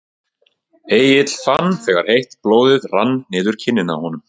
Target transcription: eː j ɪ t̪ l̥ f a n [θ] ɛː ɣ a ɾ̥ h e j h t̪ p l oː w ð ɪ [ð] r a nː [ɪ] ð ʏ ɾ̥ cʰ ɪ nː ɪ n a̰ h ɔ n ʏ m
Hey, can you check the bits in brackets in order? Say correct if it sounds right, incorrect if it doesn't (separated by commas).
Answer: correct, correct, incorrect